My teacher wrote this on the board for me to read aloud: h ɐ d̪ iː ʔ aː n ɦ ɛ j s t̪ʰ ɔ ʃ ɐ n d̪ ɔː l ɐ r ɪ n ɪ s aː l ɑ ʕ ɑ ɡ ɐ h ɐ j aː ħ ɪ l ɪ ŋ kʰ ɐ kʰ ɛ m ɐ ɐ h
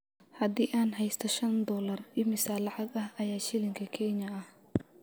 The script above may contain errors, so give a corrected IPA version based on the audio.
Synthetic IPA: h ɐ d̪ iː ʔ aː n ɦ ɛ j s t̪ʰ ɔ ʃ ɐ n d̪ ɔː l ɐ r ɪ m ɪ s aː l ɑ ʕ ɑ ɡ ɐ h ɐ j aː ʃ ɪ l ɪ ŋ kʰ ɐ kʰ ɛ ɲ ɐ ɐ h